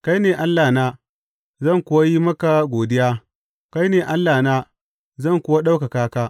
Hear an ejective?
no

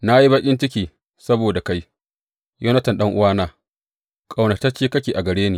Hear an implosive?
yes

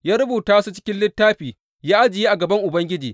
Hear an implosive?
no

